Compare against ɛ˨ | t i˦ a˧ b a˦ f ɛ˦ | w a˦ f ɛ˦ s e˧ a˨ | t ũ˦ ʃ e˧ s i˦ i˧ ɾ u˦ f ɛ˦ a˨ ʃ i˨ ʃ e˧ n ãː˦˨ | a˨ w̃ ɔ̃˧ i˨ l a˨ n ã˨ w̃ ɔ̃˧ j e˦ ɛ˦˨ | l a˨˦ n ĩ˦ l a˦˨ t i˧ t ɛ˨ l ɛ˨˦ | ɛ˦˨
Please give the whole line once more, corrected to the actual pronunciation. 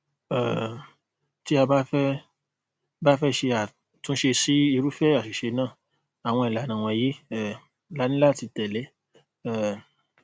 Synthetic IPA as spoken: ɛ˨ | t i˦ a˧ b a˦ f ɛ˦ | b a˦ f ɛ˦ ʃ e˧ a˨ | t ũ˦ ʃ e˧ s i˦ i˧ ɾ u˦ f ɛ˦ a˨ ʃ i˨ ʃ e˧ n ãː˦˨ | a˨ w̃ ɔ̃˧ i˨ l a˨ n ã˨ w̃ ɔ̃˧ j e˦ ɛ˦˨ | l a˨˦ n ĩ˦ l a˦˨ t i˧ t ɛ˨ l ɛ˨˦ | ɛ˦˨

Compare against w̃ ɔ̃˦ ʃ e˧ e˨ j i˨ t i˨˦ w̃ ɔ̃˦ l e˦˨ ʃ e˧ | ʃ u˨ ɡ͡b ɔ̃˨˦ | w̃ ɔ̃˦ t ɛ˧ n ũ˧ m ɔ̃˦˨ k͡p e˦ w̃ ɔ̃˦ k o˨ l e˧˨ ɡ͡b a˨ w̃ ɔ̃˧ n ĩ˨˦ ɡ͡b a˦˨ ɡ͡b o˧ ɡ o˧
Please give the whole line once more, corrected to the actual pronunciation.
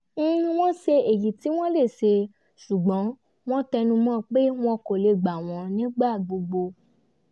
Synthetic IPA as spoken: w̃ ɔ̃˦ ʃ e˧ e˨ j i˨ t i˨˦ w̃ ɔ̃˦ l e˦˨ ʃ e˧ | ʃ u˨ ɡ͡b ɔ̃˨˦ | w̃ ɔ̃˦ t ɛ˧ n ũ˧ m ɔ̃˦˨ k͡p e˦ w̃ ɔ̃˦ k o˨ l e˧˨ ɡ͡b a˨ w̃ ɔ̃˧ n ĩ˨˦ ɡ͡b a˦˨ ɡ͡b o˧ ɡ͡b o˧

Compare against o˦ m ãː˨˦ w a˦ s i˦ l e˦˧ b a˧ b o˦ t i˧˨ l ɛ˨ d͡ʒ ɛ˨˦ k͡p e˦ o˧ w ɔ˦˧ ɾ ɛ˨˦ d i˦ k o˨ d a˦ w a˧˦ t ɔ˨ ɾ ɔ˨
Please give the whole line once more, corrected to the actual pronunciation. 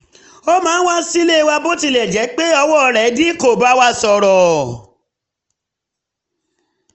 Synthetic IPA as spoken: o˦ m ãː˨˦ w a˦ s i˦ l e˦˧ w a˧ b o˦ t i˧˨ l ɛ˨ d͡ʒ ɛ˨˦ k͡p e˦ ɔ˧ w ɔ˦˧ ɾ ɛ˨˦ d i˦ k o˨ b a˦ w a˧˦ s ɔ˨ ɾ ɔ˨

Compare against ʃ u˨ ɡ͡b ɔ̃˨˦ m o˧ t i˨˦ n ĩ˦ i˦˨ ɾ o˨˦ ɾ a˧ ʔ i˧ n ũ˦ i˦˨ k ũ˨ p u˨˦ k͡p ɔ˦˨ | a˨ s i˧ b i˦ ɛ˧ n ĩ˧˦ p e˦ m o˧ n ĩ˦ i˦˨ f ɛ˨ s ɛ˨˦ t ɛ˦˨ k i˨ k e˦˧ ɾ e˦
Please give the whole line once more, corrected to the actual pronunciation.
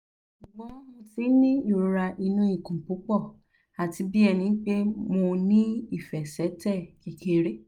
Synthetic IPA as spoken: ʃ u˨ ɡ͡b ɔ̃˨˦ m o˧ t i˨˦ n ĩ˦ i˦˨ ɾ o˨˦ ɾ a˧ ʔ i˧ n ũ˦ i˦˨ k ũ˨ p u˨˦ k͡p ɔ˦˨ | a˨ t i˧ b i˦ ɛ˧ n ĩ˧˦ k͡p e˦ m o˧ n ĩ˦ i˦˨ f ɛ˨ s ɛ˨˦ t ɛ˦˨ k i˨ k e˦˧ ɾ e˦

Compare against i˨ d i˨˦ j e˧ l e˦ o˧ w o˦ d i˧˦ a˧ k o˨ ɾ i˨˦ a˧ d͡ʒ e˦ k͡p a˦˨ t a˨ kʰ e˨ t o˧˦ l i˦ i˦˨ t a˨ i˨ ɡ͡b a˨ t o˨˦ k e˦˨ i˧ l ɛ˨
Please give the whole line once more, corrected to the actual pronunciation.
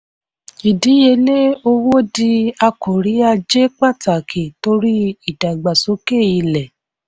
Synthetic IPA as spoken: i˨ d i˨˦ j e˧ l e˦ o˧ w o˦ d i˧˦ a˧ k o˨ ɾ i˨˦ a˧ d͡ʒ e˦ k͡p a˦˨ t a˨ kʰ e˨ t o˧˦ ɾ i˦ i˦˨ d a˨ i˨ ɡ͡b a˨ s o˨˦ k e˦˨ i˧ l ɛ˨

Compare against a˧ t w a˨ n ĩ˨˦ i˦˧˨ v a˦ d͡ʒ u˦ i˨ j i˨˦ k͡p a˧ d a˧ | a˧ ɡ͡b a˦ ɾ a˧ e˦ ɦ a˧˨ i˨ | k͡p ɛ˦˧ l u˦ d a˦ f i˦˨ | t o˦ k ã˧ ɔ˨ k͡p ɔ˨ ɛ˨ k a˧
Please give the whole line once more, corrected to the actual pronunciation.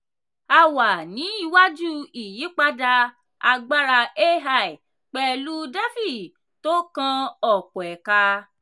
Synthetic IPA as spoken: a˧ w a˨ n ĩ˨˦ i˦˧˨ w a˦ d͡ʒ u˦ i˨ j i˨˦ k͡p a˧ d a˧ | a˧ ɡ͡b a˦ ɾ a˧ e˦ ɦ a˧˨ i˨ | k͡p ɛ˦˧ l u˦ d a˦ f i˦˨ | t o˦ k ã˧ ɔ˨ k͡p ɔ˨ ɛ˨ k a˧

